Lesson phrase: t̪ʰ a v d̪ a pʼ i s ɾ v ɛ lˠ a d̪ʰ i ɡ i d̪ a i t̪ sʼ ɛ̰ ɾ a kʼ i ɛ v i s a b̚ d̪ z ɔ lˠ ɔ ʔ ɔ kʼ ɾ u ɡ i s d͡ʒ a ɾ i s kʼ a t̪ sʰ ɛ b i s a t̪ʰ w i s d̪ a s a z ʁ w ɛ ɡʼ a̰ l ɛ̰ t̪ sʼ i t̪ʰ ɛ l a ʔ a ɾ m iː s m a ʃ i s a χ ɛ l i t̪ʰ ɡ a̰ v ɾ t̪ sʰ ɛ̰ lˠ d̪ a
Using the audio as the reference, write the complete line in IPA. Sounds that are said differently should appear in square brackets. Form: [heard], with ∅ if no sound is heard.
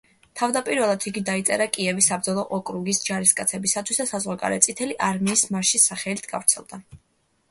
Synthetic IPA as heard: t̪ʰ a v d̪ a pʼ i [∅] ɾ v ɛ lˠ a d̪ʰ i ɡ i d̪ a i t̪ sʼ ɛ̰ ɾ a kʼ i ɛ v i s a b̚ d̪ z ɔ lˠ ɔ ʔ ɔ kʼ ɾ u ɡ i s d͡ʒ a ɾ i s kʼ a t̪ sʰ ɛ b i s a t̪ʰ w i s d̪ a s a z ʁ w [a] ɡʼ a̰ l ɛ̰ t̪ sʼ i t̪ʰ ɛ l [i] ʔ a ɾ m iː s m a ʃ i s a χ ɛ l i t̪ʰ ɡ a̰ v ɾ t̪ sʰ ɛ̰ lˠ d̪ a